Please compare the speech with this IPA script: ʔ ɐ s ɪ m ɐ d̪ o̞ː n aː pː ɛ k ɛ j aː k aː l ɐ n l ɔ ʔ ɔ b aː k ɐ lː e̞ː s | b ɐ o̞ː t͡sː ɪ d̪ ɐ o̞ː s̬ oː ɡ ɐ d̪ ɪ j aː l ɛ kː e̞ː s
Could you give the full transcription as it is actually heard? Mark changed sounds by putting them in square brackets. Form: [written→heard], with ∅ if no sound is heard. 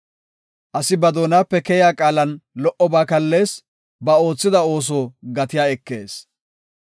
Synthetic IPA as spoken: ʔ ɐ s ɪ [m→b] ɐ d̪ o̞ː n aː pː ɛ k ɛ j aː [k→kʼ] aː l ɐ n l ɔ ʔ ɔ b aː k ɐ lː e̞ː s | b ɐ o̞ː t͡sː ɪ d̪ ɐ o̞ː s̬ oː ɡ ɐ [d̪→t̪] ɪ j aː [l→∅] ɛ kː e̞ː s

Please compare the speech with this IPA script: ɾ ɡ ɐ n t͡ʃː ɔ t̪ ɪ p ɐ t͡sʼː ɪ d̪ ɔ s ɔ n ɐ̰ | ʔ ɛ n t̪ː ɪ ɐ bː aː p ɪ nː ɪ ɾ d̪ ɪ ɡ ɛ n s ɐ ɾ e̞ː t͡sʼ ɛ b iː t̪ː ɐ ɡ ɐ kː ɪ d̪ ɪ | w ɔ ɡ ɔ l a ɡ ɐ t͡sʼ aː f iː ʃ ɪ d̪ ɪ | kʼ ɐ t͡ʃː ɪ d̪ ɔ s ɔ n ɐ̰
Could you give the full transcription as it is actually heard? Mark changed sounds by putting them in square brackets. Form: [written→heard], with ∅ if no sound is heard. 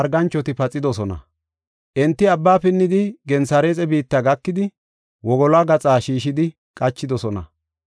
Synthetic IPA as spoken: ɾ ɡ ɐ n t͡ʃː ɔ t̪ ɪ p ɐ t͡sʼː ɪ d̪ ɔ s ɔ n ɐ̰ | ʔ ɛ n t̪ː ɪ ɐ bː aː p ɪ nː ɪ [ɾ→∅] d̪ ɪ ɡ ɛ n s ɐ ɾ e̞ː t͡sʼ ɛ b iː t̪ː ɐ ɡ ɐ kː ɪ d̪ ɪ | w ɔ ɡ ɔ l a ɡ ɐ t͡sʼ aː [f→ʃ] iː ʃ ɪ d̪ ɪ | kʼ ɐ t͡ʃː ɪ d̪ ɔ s ɔ n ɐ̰

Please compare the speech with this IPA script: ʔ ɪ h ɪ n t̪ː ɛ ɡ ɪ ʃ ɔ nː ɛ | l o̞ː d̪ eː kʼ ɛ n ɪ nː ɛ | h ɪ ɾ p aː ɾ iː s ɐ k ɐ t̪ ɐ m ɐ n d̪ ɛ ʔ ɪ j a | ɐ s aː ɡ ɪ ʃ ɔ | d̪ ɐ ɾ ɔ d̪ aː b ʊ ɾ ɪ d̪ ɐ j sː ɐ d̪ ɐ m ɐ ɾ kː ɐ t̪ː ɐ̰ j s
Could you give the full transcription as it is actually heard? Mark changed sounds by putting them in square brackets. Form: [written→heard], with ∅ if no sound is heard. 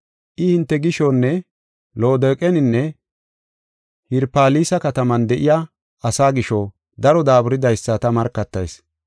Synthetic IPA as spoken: ʔ ɪ h ɪ n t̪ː ɛ ɡ ɪ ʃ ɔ nː ɛ | l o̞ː d̪ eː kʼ ɛ n ɪ nː ɛ | h ɪ ɾ p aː [ɾ→l] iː s ɐ k ɐ t̪ ɐ m ɐ n d̪ ɛ ʔ ɪ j a | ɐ s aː ɡ ɪ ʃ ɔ | d̪ ɐ ɾ ɔ d̪ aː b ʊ ɾ ɪ d̪ ɐ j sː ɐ [d̪→t̪] ɐ m ɐ ɾ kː ɐ t̪ː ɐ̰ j s

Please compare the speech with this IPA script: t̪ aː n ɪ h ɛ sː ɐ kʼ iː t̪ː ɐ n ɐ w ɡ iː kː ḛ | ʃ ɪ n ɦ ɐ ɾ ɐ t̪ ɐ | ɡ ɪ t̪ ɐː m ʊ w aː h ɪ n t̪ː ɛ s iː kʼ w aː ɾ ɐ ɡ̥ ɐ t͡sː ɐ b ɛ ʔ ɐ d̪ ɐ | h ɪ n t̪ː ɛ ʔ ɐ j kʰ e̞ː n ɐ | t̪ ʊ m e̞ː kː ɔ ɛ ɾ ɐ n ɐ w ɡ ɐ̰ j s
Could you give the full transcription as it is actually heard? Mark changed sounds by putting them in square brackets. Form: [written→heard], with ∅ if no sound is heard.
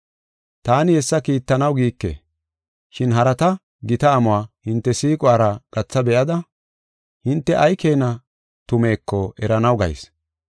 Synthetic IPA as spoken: t̪ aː n ɪ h ɛ sː ɐ [kʼ→k] iː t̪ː ɐ n ɐ w ɡ iː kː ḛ | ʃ ɪ n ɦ ɐ ɾ ɐ t̪ ɐ | ɡ ɪ t̪ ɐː m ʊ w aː h ɪ n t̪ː ɛ s iː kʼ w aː ɾ ɐ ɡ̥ ɐ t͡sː ɐ b ɛ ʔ ɐ d̪ ɐ | h ɪ n t̪ː ɛ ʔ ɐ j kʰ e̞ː n ɐ | t̪ ʊ m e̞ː kː ɔ ɛ ɾ ɐ n ɐ w ɡ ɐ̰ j s

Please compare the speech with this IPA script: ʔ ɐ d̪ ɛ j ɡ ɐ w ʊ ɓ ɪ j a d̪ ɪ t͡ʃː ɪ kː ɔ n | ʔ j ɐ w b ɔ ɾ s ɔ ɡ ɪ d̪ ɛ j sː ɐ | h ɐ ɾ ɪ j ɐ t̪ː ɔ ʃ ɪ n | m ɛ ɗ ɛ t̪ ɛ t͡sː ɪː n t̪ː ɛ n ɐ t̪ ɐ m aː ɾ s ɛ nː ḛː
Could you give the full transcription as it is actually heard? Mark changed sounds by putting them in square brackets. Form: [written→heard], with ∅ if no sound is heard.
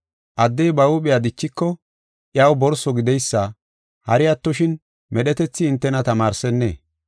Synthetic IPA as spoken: ʔ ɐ [d̪→d̪ː] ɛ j [ɡ→b] ɐ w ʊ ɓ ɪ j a d̪ ɪ t͡ʃː ɪ kː ɔ [n→∅] | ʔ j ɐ w b ɔ ɾ s ɔ ɡ ɪ d̪ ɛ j sː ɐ | h ɐ ɾ ɪ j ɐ t̪ː ɔ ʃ ɪ n | m ɛ ɗ ɛ t̪ ɛ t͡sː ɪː n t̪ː ɛ n ɐ t̪ ɐ m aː ɾ s ɛ nː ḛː

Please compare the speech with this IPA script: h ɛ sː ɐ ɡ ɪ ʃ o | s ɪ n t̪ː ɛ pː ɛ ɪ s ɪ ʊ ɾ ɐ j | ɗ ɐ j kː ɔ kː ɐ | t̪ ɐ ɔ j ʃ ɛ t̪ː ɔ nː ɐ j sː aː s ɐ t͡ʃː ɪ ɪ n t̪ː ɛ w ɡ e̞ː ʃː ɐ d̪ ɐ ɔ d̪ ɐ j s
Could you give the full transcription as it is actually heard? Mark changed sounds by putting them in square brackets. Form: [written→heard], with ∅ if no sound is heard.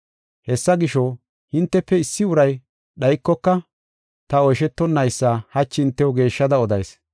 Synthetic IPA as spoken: h ɛ sː ɐ ɡ ɪ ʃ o | [s→h] ɪ n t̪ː ɛ pː ɛ ɪ [s→sː] ɪ ʊ ɾ ɐ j | ɗ ɐ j kː ɔ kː ɐ | t̪ ɐ ɔ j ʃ ɛ t̪ː ɔ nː ɐ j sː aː [s→h] ɐ t͡ʃː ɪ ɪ n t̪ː ɛ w ɡ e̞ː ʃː ɐ d̪ ɐ ɔ d̪ ɐ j s

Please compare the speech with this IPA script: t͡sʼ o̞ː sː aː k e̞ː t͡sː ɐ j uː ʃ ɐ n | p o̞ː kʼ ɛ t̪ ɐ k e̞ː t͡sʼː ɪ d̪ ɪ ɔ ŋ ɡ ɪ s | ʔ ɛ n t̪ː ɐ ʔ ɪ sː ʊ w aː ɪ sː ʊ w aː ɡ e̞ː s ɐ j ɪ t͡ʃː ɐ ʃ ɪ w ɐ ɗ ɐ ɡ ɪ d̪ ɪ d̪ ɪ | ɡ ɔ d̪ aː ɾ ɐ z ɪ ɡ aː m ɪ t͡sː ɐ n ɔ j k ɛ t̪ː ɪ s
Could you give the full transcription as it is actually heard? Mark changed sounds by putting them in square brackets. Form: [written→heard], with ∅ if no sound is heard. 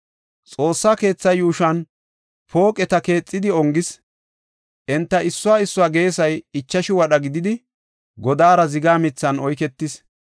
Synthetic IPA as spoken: t͡sʼ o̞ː sː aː k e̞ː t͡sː ɐ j uː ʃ ɐ n | p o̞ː kʼ ɛ t̪ ɐ k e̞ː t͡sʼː ɪ d̪ ɪ ɔ ŋ ɡ ɪ s | ʔ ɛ n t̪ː ɐ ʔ ɪ sː ʊ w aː ɪ sː ʊ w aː ɡ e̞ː s ɐ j ɪ t͡ʃː ɐ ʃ ɪ w ɐ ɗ ɐ ɡ ɪ d̪ ɪ d̪ ɪ | ɡ ɔ d̪ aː ɾ ɐ z ɪ ɡ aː m ɪ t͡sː ɐ n ɔ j k ɛ t̪ː ɪ s

